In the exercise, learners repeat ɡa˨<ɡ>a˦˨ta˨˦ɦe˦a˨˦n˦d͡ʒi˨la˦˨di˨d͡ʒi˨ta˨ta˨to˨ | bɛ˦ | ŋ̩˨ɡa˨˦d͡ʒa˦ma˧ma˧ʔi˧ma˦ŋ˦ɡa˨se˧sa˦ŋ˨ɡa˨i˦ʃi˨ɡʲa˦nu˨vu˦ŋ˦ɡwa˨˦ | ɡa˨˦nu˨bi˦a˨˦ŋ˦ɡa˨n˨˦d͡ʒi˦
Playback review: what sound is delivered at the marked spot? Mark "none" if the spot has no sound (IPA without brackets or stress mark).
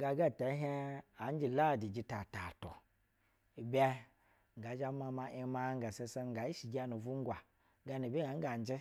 ɡ